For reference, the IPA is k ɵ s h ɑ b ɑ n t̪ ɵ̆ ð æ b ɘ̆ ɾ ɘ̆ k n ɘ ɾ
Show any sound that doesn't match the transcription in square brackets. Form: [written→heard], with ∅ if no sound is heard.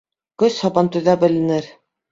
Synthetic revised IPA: k ɵ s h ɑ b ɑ n t̪ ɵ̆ ð æ b ɘ̆ [ɾ→l] ɘ̆ [k→∅] n ɘ ɾ